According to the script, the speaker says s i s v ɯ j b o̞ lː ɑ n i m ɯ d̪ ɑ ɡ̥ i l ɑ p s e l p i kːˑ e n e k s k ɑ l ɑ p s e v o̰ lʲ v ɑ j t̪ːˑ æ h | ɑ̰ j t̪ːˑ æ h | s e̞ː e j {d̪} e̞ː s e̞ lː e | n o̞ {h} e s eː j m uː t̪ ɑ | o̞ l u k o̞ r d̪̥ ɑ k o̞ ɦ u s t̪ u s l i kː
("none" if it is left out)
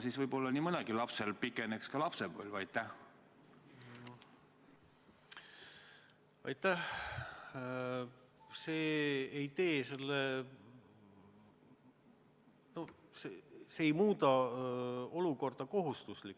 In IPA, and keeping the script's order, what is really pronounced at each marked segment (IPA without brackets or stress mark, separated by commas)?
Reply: t̪, s